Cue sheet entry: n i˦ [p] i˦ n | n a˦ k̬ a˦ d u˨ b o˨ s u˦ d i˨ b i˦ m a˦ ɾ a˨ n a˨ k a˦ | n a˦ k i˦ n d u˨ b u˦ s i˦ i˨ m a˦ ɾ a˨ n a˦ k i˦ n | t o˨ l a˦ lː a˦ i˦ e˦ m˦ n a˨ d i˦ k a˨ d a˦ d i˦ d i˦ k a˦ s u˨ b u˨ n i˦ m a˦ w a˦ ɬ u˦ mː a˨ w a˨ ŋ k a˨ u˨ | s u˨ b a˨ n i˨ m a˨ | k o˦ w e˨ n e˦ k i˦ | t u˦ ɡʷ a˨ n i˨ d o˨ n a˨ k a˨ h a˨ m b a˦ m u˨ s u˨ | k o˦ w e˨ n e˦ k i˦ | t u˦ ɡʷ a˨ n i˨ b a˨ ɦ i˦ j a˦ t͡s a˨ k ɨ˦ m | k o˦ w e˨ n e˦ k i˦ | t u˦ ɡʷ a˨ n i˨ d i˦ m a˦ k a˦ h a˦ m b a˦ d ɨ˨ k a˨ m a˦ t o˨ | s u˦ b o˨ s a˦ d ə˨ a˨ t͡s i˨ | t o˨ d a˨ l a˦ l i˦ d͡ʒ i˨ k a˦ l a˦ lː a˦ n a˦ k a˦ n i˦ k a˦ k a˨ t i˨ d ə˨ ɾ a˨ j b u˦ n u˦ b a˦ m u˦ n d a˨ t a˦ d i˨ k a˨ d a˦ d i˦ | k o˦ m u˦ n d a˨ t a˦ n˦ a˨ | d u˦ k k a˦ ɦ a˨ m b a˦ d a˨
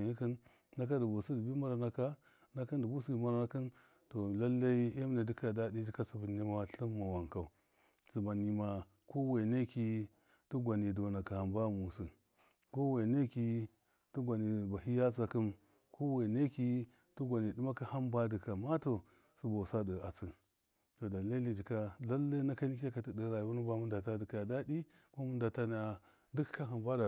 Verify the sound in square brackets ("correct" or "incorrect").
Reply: incorrect